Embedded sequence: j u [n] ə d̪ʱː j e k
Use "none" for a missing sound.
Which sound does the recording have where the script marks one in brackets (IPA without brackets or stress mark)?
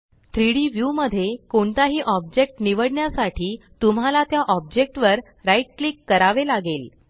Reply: m